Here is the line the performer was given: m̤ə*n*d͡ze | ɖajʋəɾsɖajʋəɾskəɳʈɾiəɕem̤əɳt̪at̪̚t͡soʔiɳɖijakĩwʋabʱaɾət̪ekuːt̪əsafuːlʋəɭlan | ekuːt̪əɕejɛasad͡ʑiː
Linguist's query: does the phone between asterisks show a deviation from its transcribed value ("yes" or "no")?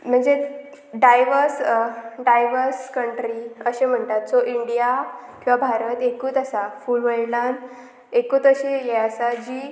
yes